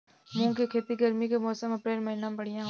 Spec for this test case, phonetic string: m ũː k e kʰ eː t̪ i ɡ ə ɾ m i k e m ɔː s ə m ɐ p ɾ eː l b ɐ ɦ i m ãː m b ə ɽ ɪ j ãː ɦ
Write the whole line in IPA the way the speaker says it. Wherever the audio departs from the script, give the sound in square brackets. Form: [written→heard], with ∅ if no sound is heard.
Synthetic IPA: m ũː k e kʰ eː t̪ i ɡ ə ɾ m i k e m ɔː s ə m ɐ p ɾ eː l [b→m] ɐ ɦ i [m→n] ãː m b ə ɽ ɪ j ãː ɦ